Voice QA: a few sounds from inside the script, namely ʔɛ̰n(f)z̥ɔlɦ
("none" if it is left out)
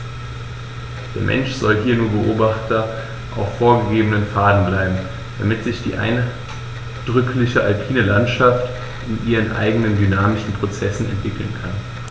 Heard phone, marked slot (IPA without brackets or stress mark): ʃ